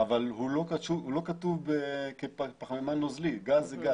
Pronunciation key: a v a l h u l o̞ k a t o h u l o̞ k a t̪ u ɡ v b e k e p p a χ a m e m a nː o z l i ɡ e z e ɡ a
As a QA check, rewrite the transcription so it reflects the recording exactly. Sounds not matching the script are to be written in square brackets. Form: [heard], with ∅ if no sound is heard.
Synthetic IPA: a v a l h u l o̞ k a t [u] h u l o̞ k a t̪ u [∅] v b e k e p p a χ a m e m a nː o z l i ɡ [a] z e ɡ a